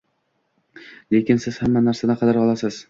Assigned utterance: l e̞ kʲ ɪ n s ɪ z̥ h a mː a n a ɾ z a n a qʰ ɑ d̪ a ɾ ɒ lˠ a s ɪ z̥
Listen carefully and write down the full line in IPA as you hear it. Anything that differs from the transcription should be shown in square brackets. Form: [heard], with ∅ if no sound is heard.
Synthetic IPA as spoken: l e̞ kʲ ɪ n s ɪ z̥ h a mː a n a ɾ [s] a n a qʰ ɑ d̪ a ɾ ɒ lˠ a s ɪ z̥